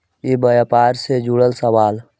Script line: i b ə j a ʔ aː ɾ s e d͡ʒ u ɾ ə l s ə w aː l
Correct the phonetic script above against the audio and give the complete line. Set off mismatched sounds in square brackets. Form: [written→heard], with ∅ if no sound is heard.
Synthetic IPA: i b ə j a [ʔ→p] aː ɾ s e d͡ʒ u [ɾ→ɽ] ə l s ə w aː l